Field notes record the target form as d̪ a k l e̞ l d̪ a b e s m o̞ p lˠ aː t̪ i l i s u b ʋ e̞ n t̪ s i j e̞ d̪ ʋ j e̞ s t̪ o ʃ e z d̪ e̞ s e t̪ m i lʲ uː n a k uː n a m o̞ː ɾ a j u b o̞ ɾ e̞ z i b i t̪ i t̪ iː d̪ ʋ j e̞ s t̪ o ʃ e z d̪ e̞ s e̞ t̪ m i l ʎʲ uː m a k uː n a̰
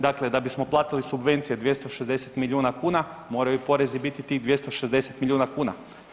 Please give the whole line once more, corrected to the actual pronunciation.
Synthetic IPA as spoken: d̪ a k l e̞ d̪ a b i s m o̞ p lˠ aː t̪ i l i s u b ʋ e̞ n t̪ s i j e̞ d̪ ʋ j e̞ s t̪ o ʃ e z d̪ e̞ s e t̪ m i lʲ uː n a k uː n a m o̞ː ɾ a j u p o̞ ɾ e̞ z i b i t̪ i t̪ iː d̪ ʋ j e̞ s t̪ o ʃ e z d̪ e̞ s e̞ t̪ m i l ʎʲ uː n a k uː n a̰